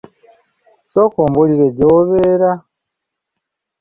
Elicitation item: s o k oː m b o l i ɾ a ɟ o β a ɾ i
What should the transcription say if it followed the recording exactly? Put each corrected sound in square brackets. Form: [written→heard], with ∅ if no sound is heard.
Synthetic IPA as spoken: s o k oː m b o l i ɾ [a→e] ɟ o β [a→e] ɾ [i→a]